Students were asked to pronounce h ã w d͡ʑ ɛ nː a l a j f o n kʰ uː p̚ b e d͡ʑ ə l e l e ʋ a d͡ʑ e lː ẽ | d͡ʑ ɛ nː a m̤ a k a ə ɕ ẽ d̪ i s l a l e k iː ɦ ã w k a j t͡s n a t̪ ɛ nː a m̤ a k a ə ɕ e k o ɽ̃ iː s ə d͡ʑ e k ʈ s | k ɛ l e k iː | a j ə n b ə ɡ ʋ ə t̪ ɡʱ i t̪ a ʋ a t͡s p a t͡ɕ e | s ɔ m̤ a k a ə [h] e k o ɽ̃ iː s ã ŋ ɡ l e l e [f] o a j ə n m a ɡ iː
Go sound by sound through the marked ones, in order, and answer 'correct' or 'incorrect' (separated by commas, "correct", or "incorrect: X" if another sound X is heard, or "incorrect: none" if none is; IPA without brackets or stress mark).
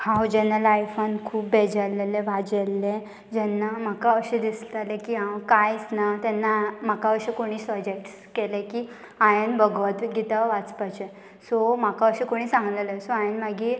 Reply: incorrect: ɕ, incorrect: s